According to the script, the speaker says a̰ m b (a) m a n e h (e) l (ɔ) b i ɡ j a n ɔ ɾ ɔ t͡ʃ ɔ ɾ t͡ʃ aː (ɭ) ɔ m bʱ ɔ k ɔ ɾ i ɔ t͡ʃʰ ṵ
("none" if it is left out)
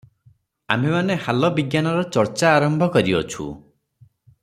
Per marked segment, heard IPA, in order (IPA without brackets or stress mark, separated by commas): e, a, ɔ, ɾ